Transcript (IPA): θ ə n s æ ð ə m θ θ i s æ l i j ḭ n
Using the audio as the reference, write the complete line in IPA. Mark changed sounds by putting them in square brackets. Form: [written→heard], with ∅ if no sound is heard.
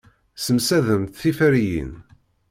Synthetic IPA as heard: [θ→s] ə [n→m] s æ ð ə m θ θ i [s→f] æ [l→ɾ] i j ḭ n

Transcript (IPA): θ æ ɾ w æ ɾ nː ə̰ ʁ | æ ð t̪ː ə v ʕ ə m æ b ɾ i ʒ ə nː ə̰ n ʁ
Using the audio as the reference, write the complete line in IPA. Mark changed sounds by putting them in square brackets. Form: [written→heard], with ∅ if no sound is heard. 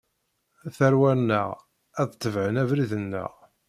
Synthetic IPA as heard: θ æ ɾ w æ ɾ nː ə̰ ʁ | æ ð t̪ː ə v ʕ ə [m→n] æ [b→v] ɾ i [ʒ→ð] ə nː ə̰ [n→∅] ʁ

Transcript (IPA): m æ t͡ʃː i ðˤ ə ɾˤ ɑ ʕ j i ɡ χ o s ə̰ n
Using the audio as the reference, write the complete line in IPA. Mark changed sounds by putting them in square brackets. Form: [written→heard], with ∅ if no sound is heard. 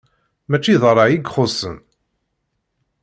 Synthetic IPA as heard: m æ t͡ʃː i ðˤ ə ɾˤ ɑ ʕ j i ɡ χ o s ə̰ n

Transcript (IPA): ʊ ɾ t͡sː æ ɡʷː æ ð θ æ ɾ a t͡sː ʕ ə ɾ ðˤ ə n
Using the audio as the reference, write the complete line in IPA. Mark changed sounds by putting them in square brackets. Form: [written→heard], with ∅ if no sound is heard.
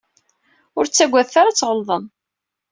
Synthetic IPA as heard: ʊ ɾ t͡sː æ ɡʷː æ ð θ [æ→a] ɾ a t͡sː [ʕ→ʁ] ə [ɾ→l] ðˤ ə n

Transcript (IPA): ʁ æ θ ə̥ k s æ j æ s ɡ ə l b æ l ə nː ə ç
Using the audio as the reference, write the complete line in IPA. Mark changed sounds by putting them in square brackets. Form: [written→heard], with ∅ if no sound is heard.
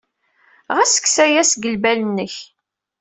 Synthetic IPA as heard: ʁ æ [θ→s] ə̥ k s æ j æ s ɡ ə l b æ l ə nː ə ç

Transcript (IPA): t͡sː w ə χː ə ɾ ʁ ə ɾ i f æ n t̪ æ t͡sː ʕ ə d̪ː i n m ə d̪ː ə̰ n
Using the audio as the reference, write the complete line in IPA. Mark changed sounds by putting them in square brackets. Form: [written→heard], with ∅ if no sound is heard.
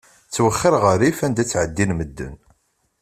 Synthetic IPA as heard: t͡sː w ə χː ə ɾ ʁ ə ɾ i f æ n [t̪→d̪] æ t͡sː ʕ ə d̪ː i n m ə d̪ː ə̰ n

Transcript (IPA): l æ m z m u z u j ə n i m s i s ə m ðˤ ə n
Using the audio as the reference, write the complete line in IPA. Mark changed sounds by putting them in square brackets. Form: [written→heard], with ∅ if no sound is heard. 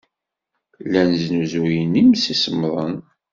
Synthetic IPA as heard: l æ [m→n] z [m→n] u z u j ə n i m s i s ə m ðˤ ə n

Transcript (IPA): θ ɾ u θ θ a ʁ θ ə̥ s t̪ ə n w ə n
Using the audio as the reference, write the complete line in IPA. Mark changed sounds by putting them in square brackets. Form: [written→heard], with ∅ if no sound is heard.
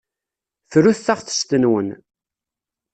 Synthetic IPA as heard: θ ɾ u θ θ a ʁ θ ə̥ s t̪ ə n w ə n

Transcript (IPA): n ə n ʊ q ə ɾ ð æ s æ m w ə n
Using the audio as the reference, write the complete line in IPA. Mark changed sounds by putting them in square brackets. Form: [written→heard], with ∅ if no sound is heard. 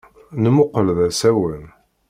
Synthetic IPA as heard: n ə [n→m] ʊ q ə [ɾ→l] ð æ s æ [m→∅] w ə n

